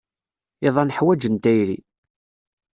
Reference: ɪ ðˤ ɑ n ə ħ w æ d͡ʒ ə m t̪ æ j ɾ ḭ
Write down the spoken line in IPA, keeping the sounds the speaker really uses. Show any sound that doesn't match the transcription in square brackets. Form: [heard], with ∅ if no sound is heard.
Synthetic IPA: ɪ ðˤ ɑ n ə ħ w æ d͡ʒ ə [n] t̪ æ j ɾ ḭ